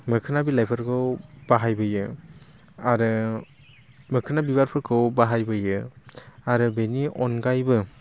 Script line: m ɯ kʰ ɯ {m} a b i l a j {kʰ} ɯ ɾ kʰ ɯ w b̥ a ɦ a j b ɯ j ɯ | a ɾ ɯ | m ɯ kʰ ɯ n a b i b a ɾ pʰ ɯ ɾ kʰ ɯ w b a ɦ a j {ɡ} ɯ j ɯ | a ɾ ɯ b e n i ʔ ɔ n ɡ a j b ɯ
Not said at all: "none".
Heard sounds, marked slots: n, pʰ, b

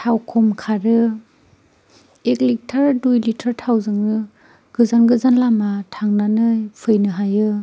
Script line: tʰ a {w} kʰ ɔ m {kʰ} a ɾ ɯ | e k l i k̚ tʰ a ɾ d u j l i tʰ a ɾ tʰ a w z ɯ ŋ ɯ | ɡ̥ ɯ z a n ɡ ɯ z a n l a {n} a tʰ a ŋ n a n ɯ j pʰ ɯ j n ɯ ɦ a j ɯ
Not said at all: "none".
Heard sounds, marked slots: w, kʰ, m

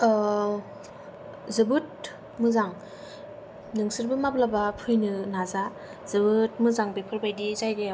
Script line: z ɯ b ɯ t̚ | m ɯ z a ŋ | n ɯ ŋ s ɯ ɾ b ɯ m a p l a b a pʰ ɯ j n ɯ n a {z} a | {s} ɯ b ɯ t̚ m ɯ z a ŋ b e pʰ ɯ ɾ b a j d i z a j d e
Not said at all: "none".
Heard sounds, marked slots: z, z

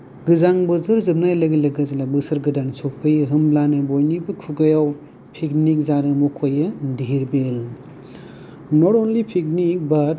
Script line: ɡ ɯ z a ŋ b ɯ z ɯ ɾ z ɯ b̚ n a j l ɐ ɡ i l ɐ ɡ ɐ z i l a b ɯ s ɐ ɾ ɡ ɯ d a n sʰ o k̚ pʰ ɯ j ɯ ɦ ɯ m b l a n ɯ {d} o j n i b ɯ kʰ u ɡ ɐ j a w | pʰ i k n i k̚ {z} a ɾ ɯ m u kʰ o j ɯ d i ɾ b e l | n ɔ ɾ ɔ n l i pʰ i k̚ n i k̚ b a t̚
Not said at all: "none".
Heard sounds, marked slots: b, z

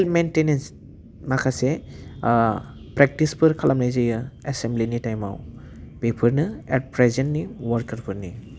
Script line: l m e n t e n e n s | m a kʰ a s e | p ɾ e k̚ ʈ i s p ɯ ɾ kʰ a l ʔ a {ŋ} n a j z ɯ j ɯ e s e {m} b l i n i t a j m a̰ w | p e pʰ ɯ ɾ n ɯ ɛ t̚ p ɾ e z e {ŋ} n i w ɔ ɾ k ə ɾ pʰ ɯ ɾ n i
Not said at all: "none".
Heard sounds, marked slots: m, m, n

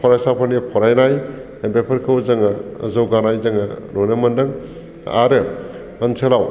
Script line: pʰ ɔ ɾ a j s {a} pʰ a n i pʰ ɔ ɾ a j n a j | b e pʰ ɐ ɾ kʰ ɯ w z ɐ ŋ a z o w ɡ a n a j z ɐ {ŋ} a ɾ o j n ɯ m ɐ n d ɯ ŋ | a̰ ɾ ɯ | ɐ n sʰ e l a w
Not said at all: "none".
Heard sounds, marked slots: a, ŋ

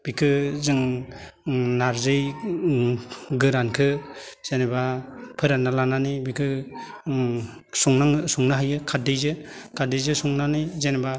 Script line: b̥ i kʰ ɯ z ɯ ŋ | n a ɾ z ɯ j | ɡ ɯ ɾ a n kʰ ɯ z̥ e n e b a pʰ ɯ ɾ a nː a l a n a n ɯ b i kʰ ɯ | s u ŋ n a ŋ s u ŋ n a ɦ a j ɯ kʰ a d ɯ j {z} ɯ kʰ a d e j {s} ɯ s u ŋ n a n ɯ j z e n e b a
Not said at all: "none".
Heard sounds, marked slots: z, z

